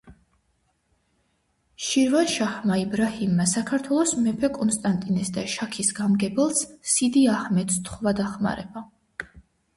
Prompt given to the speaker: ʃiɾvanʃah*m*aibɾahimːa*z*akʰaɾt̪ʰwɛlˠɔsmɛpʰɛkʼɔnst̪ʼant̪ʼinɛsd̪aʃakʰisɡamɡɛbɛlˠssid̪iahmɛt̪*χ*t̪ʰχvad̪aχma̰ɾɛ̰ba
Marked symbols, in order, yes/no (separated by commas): yes, no, no